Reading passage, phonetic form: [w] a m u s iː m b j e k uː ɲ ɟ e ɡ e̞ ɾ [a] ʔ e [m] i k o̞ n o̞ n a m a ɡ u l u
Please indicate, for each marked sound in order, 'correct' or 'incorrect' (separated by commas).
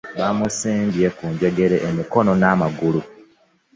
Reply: incorrect, incorrect, correct